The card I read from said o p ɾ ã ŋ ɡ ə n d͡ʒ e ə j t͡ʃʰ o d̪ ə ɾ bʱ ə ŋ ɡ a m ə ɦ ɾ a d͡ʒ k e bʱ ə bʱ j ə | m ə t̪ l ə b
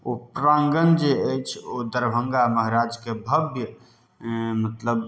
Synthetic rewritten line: o p ɾ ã ŋ ɡ ə n d͡ʒ e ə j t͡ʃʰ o d̪ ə ɾ bʱ ə ŋ ɡ a m ə ɦ ɾ a d͡ʒ k e bʱ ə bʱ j ə | m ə t̪ l ə b